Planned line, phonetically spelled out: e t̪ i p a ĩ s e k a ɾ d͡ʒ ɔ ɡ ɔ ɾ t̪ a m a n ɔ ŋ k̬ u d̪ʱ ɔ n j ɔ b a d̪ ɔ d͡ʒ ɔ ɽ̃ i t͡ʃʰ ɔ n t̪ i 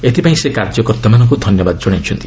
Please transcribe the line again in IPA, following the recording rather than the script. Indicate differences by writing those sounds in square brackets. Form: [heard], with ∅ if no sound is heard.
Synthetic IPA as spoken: e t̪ i p a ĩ s e k a ɾ d͡ʒ ɔ [k] ɔ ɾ t̪ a m a n ɔ ŋ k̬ u d̪ʱ ɔ n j ɔ b a d̪ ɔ d͡ʒ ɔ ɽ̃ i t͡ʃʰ ɔ n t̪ i